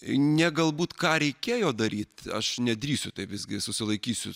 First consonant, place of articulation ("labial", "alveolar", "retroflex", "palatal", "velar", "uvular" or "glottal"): alveolar